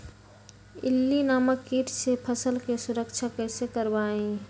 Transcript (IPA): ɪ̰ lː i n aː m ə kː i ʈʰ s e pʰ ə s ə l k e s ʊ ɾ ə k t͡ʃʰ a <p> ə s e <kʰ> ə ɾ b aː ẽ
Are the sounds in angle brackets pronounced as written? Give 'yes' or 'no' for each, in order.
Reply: no, no

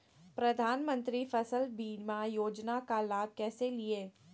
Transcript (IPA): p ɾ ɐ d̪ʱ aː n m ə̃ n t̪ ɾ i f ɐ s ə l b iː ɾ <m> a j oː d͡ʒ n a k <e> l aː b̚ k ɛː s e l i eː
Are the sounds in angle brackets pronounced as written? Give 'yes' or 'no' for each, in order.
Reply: yes, no

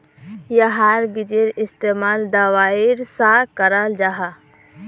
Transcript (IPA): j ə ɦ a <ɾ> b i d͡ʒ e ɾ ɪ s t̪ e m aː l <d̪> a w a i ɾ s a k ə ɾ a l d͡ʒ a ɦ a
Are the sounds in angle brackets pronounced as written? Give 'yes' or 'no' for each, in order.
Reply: yes, yes

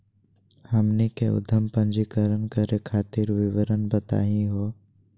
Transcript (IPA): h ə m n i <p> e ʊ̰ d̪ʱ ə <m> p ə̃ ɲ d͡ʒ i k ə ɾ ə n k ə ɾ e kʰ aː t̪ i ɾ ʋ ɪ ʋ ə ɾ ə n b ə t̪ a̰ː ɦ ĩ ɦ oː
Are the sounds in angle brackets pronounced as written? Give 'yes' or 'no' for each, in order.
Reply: no, yes

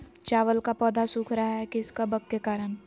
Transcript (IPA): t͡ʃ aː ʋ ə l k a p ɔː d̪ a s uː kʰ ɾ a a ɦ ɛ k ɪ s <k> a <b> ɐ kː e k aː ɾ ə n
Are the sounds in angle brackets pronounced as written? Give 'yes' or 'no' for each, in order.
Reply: yes, yes

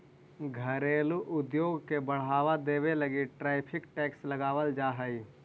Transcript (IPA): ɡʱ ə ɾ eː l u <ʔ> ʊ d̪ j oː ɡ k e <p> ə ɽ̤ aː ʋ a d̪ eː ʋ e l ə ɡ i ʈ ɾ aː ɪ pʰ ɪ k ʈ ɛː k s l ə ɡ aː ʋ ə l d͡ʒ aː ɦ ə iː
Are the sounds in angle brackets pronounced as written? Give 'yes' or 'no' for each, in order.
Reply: yes, no

